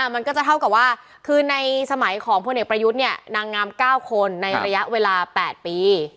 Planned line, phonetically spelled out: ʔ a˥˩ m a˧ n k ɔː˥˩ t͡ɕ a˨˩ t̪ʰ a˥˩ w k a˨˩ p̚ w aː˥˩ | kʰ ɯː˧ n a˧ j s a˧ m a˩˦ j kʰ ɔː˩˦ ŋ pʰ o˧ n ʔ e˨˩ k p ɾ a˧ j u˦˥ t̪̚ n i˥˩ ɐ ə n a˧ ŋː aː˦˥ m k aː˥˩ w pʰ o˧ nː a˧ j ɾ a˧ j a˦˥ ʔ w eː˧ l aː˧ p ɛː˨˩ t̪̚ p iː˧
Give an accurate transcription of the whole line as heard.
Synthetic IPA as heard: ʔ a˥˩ m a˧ n k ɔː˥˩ t͡ɕ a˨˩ t̪ʰ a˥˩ w k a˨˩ p̚ w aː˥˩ | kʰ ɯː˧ n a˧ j s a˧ m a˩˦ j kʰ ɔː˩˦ ŋ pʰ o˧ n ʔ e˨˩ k p ɾ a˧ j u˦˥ t̪̚ n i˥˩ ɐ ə n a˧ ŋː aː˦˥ m k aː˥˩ w kʰ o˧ nː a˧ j ɾ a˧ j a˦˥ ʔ w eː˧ l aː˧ p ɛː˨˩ t̪̚ p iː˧

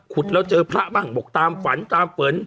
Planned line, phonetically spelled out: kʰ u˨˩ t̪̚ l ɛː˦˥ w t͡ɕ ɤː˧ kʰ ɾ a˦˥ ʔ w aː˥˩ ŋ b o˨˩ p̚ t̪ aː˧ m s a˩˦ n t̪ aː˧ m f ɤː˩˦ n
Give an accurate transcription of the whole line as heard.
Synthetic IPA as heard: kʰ u˨˩ t̪̚ l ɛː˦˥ w t͡ɕ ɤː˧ pʰ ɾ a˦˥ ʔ b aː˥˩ ŋ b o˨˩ k̚ t̪ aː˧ m f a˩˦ n t̪ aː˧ m f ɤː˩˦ n

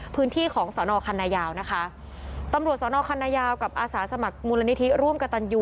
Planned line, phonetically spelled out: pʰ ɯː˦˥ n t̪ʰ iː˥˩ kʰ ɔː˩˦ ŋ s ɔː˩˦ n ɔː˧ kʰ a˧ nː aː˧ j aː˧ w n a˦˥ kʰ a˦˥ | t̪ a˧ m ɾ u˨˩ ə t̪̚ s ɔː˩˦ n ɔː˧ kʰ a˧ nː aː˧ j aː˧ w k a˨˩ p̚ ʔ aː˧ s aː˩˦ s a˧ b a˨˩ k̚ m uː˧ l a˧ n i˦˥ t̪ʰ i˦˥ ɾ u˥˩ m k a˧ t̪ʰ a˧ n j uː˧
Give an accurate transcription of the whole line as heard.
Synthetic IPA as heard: pʰ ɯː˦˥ n t̪ʰ iː˥˩ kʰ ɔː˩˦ ŋ s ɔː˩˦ n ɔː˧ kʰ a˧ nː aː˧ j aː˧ w n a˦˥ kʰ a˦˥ | t̪ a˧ m ɾ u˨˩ ə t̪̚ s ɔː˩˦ n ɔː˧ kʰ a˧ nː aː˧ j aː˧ w k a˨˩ p̚ ʔ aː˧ s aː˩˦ s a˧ m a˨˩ k̚ m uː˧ l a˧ n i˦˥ t̪ʰ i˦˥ ɾ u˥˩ m k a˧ t̪ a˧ n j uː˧

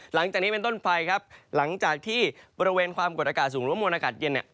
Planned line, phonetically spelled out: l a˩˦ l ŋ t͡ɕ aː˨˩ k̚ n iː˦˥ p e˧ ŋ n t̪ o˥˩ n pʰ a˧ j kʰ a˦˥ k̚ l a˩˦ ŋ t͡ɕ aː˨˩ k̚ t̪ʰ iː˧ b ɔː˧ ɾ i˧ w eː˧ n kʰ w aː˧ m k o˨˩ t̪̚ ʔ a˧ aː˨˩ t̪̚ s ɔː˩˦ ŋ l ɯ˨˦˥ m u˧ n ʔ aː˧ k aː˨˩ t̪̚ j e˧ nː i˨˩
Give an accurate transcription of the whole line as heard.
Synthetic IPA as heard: l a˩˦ ŋ t͡ɕ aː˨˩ k̚ n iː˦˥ p e˧ n t̪ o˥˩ n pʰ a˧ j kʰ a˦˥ p̚ l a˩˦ ŋ t͡ɕ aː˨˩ k̚ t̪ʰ iː˥˩ b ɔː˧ ɾ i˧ w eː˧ n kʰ w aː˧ m k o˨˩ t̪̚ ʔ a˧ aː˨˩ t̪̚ s uː˩˦ ŋ ɾ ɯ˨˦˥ m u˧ n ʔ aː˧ k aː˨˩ t̪̚ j e˧ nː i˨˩

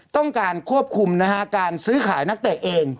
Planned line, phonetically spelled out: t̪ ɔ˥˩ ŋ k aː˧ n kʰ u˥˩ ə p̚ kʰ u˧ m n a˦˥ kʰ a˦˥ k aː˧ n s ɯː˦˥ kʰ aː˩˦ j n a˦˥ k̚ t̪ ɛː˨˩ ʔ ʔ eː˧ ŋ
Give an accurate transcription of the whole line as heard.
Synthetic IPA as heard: t̪ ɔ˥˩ ŋ k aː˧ n kʰ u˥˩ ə p̚ kʰ u˧ m n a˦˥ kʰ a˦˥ k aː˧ n s ɯː˦˥ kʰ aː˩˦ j n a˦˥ k̚ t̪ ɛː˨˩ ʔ ʔ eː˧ ŋ

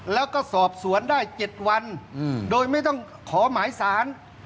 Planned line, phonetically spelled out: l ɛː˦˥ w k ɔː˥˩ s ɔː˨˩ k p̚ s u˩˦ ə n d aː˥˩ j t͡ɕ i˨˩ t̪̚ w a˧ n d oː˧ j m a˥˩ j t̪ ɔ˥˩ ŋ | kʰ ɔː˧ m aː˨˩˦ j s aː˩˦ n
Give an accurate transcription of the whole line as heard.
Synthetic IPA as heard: l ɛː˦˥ w k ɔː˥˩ s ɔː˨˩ p̚ s u˩˦ ə n d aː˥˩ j t͡ɕ e˨˩ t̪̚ w a˧ n d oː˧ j m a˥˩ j t̪ ɔ˥˩ ŋ | kʰ ɔː˩˦ m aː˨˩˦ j s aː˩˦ n

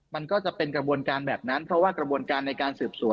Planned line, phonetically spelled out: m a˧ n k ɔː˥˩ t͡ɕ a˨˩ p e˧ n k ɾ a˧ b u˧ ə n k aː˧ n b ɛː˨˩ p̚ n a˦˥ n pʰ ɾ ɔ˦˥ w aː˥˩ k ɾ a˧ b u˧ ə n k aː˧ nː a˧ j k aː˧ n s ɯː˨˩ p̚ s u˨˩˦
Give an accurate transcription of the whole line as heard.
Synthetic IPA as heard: m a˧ n k ɔː˥˩ t͡ɕ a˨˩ p e˧ n k ɾ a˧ b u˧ ə n k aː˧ n b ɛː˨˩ p̚ n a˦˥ n pʰ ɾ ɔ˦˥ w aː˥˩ k ɾ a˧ b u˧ ə n k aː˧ nː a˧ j k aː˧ n s ɯː˨˩ p̚ s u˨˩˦

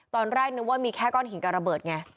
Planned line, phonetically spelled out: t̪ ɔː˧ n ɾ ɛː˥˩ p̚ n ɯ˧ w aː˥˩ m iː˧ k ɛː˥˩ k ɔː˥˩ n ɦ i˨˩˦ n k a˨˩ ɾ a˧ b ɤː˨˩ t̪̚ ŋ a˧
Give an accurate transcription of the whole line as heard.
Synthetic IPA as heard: t̪ ɔː˧ n ɾ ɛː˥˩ k̚ n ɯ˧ w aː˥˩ m iː˧ kʰ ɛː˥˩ k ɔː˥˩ n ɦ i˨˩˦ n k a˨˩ ɾ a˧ b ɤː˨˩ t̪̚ ŋ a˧

